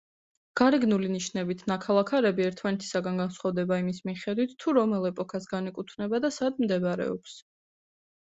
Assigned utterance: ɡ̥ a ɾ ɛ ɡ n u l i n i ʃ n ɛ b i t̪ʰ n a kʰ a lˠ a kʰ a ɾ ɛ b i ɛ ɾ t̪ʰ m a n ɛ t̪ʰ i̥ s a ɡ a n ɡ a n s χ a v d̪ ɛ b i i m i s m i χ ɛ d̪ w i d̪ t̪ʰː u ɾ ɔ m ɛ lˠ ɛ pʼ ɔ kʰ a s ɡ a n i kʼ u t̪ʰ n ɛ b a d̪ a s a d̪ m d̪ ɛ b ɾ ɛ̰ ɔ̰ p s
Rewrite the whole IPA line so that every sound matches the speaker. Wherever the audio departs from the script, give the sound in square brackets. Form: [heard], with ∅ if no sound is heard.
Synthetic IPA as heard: ɡ̥ a ɾ ɛ ɡ n u l i n i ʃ n ɛ b i t̪ʰ n a kʰ a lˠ a kʰ a ɾ ɛ b i ɛ ɾ t̪ʰ m a n ɛ t̪ʰ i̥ s a ɡ a n ɡ a n s χ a v d̪ ɛ b [a] i m i s m i χ ɛ d̪ w i [t̪] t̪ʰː u ɾ ɔ m ɛ lˠ ɛ pʼ ɔ kʰ a s ɡ a n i kʼ u t̪ʰ n ɛ b a d̪ a s a d̪ m d̪ ɛ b ɾ ɛ̰ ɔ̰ p s

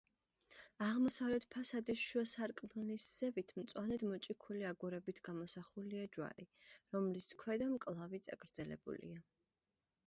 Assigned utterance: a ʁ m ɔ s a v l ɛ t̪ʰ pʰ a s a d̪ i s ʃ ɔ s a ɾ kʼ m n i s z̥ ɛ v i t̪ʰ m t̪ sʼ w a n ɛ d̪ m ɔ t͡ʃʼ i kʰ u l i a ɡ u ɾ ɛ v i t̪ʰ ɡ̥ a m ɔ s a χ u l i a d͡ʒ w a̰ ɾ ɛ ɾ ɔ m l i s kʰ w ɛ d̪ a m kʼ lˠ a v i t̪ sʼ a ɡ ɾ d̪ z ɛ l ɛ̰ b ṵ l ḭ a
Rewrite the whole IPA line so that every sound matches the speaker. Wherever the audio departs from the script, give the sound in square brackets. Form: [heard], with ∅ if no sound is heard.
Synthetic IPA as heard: a ʁ m ɔ s a v l ɛ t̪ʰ pʰ a s a d̪ i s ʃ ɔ s a ɾ kʼ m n i s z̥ ɛ v i t̪ʰ m t̪ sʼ w a n ɛ d̪ m ɔ t͡ʃʼ i kʰ u l i a ɡ u ɾ ɛ [b] i t̪ʰ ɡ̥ a m ɔ s a χ u l i a d͡ʒ w a̰ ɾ [i] ɾ ɔ m l i s kʰ w ɛ d̪ a m kʼ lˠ a v i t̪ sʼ a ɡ ɾ d̪ z ɛ l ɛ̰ b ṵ l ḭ a

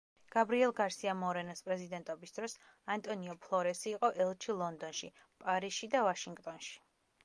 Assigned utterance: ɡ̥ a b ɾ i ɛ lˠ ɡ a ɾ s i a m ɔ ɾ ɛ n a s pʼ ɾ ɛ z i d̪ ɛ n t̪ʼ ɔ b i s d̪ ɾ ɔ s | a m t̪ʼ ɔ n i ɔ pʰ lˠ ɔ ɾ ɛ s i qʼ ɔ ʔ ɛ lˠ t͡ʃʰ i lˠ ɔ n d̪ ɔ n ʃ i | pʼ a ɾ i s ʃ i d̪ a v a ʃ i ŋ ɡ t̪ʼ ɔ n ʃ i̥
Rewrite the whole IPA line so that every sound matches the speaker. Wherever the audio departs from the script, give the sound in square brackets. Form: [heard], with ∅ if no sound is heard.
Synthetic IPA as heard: ɡ̥ a b ɾ i ɛ lˠ ɡ a ɾ s i a m ɔ ɾ ɛ n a s pʼ ɾ ɛ z i d̪ ɛ n t̪ʼ ɔ b i s d̪ ɾ ɔ s | a [n] t̪ʼ ɔ n i ɔ pʰ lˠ ɔ ɾ ɛ s [iː] qʼ ɔ ʔ ɛ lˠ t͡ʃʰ i lˠ ɔ n d̪ ɔ n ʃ i | pʼ a ɾ i s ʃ i d̪ a v a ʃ i ŋ ɡ t̪ʼ ɔ n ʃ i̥

